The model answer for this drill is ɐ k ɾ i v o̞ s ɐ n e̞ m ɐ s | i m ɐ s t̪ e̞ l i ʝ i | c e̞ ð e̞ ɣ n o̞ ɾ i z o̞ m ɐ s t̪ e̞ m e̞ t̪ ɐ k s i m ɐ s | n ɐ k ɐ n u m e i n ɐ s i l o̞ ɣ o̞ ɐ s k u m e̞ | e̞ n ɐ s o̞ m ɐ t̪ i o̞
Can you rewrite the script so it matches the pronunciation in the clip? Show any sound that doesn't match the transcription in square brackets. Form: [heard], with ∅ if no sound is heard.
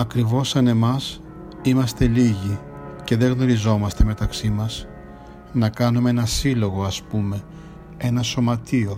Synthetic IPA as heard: ɐ k ɾ i v o̞ s ɐ n e̞ m ɐ s | i m ɐ s t̪ e̞ l i ʝ i | c e̞ ð e̞ ɣ n o̞ ɾ i z o̞ m ɐ s t̪ e̞ m e̞ t̪ ɐ k s i m ɐ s | n ɐ k ɐ n u m e [e] n ɐ s i l o̞ ɣ o̞ ɐ s [p] u m e̞ | e̞ n ɐ s o̞ m ɐ t̪ i o̞